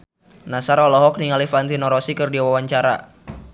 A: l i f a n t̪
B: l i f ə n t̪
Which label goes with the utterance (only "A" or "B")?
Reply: A